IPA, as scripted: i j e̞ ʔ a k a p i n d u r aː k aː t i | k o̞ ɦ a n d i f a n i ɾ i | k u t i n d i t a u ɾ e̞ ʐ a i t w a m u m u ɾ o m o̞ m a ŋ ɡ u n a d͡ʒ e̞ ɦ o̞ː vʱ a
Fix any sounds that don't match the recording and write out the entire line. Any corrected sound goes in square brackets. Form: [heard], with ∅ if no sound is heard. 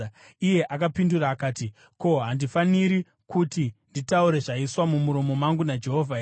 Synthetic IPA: i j e̞ ʔ a k a p i n d u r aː k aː t i | k o̞ ɦ a n d i f a n i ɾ i | k u t i n d i t a u ɾ e̞ ʐ a i [s] w a m u m u ɾ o m o̞ m a ŋ ɡ u n a d͡ʒ e̞ ɦ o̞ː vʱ a